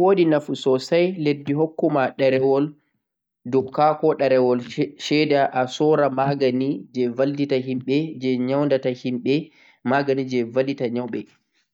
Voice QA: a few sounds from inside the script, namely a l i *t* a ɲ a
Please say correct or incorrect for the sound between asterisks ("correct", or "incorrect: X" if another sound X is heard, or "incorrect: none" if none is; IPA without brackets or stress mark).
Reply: correct